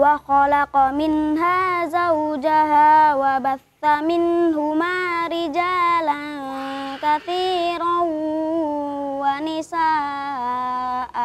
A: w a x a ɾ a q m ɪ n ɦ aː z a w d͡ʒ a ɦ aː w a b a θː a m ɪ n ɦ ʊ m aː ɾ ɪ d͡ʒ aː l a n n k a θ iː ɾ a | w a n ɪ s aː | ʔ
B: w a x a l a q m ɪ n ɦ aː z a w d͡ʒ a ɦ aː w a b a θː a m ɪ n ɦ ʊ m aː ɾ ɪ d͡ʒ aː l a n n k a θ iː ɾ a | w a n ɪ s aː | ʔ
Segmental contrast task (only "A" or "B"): B